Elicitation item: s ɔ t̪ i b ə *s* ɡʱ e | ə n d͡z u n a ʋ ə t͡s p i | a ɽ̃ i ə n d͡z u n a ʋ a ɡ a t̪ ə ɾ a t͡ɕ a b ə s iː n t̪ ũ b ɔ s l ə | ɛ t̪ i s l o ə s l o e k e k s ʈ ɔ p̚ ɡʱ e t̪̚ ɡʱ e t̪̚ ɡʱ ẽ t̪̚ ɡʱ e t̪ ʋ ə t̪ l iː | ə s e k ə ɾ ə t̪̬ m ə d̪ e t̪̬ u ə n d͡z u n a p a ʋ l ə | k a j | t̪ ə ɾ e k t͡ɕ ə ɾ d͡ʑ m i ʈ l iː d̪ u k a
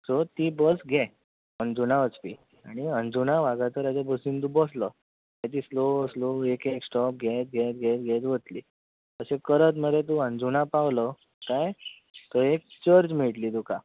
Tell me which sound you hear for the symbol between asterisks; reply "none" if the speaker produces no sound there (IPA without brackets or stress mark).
s